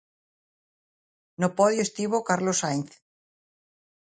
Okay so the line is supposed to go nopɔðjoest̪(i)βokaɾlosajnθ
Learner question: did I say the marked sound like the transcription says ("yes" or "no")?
yes